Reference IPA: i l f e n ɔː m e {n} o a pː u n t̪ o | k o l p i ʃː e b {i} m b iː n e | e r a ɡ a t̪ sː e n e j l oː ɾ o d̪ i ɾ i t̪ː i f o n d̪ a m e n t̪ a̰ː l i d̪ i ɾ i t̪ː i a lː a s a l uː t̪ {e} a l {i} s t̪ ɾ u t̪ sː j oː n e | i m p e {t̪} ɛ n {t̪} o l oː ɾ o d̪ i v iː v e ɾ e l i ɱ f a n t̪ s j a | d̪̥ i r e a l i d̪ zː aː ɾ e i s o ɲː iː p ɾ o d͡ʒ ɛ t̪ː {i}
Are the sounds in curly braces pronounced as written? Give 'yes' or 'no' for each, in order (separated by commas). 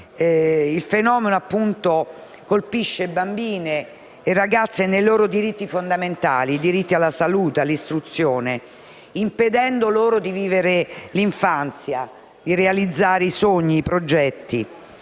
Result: yes, no, yes, yes, no, no, yes